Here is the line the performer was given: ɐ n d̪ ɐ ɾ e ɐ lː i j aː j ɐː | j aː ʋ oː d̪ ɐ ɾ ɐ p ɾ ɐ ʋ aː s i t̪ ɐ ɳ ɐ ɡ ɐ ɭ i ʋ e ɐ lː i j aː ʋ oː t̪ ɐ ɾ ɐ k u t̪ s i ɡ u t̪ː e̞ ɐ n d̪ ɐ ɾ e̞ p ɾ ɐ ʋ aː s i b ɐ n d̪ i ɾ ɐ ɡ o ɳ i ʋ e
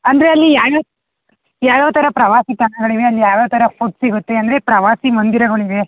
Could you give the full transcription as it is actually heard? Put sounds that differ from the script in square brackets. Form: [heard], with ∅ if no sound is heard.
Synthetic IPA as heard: ɐ n d̪ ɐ ɾ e ɐ lː i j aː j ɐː | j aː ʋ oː [t̪] ɐ ɾ ɐ p ɾ ɐ ʋ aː s i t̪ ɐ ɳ ɐ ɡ ɐ ɭ i ʋ e ɐ lː i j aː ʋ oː t̪ ɐ ɾ ɐ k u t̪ s i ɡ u t̪ː e̞ ɐ n d̪ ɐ ɾ e̞ p ɾ ɐ ʋ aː s i [m] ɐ n d̪ i ɾ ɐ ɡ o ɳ i ʋ e